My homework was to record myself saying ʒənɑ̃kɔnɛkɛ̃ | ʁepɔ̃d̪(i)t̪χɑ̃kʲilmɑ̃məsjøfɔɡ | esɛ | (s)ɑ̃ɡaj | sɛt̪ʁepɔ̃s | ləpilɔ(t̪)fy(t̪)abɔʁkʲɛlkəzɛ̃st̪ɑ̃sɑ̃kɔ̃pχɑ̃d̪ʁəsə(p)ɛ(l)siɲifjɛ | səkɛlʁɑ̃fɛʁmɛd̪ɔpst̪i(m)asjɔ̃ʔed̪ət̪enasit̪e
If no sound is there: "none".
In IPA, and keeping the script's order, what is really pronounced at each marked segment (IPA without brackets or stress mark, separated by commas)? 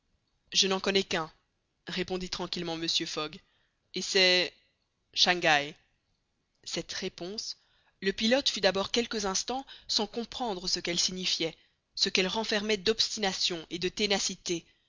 i, ʃ, t̪, d̪, k, l, n